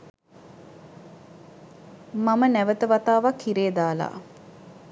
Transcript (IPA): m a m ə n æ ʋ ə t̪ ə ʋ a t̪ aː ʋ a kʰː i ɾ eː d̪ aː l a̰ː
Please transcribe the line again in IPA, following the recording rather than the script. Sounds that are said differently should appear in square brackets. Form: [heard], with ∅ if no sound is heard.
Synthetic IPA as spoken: m a m ə n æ ʋ ə t̪ ə ʋ a t̪ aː ʋ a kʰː i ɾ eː d̪ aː l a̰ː